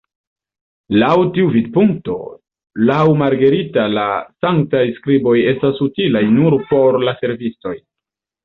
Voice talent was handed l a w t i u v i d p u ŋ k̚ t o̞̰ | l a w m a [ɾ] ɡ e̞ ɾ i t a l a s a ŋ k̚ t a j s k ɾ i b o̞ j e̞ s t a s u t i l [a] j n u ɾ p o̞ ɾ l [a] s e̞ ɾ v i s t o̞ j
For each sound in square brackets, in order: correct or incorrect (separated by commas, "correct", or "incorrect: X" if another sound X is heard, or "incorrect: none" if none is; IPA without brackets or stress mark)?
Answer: correct, correct, correct